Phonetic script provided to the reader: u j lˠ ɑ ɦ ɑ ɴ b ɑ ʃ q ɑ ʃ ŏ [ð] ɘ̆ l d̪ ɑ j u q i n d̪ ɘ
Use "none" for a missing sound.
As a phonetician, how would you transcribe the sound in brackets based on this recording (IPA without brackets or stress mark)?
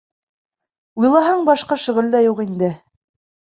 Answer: ʁ